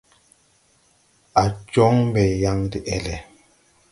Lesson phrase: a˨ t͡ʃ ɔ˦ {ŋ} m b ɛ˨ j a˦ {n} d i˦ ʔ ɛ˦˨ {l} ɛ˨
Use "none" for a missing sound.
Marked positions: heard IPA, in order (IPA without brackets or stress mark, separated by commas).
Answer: ŋ, ŋ, l